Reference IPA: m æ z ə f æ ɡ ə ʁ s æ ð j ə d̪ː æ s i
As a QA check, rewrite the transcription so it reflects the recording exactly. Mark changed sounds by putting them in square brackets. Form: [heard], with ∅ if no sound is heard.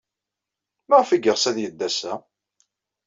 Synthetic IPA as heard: m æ [ʁ] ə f [i] ɡ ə ʁ s æ ð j ə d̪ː æ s [æ]